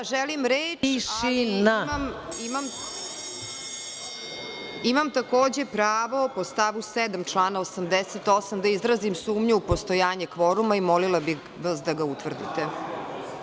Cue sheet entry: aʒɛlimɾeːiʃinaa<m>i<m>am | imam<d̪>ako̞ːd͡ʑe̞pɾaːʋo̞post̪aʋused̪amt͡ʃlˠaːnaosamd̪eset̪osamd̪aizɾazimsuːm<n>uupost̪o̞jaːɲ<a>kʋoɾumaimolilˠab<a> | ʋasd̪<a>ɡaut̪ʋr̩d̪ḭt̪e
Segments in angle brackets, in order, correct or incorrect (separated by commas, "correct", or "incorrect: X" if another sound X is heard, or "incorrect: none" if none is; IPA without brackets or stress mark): correct, correct, incorrect: t̪, incorrect: ɲ, incorrect: e, incorrect: i, correct